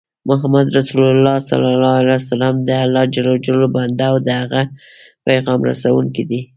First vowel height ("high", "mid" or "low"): high